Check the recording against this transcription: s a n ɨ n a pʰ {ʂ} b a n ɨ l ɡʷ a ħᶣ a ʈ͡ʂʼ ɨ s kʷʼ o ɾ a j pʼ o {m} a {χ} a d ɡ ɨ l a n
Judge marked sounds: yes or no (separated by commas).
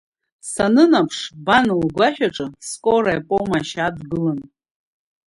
yes, yes, no